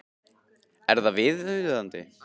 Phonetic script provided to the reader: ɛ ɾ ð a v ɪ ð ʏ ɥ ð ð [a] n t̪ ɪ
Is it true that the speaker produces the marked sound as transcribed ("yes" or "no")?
yes